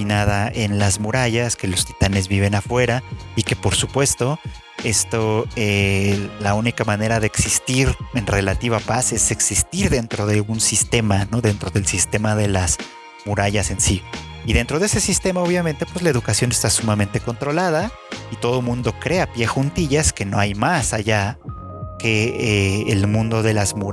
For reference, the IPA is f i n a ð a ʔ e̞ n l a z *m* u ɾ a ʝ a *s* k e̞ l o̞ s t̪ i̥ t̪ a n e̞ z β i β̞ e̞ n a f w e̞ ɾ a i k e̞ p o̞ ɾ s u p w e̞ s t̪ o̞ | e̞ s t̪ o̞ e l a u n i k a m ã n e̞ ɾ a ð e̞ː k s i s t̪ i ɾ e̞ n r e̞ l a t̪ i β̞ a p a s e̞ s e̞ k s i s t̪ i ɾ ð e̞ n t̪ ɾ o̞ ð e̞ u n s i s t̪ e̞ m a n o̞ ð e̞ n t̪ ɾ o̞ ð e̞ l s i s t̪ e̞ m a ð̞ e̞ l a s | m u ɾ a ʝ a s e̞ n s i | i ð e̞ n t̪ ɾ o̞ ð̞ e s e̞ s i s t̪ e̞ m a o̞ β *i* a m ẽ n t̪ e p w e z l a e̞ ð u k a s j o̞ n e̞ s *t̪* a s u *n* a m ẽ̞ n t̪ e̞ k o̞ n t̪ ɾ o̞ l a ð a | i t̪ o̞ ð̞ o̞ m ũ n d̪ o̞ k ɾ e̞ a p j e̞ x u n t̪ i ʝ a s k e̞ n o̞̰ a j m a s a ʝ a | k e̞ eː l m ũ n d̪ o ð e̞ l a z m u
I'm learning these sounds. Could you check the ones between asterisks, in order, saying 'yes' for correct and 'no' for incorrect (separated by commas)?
yes, yes, no, yes, no